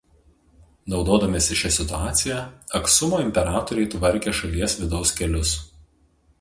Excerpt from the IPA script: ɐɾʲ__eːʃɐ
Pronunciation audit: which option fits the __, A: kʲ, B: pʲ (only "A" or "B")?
A